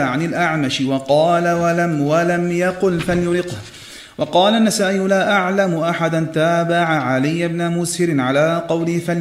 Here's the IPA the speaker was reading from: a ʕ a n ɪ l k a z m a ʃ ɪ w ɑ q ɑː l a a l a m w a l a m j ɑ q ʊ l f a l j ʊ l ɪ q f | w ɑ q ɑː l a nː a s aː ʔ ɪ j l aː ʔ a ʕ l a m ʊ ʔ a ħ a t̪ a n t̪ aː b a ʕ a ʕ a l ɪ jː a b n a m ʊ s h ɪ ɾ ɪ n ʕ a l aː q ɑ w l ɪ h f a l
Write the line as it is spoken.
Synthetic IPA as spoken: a ʕ a n ɪ l ʔ a ʕ m a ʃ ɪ w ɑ q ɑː l a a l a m w a l a m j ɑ q ʊ l f a l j ʊ l ɪ q h | w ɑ q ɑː l a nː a s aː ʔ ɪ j l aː ʔ a ʕ l a m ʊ ʔ a ħ a d̪ a n t̪ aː b a ʕ a ʕ a l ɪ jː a b n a m ʊ s h ɪ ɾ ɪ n ʕ a l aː q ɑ w l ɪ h f a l